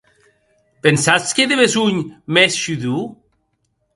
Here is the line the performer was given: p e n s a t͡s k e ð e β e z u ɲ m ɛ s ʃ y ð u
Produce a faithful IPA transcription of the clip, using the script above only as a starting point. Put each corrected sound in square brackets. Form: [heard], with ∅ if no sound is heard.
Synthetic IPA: p e n s a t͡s k e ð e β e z u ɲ m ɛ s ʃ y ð u